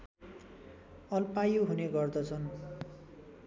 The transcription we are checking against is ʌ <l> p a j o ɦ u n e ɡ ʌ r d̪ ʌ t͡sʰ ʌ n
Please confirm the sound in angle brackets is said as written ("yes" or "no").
yes